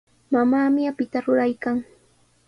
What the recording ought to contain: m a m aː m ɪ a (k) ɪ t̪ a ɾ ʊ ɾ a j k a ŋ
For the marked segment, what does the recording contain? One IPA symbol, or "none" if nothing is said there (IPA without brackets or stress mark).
p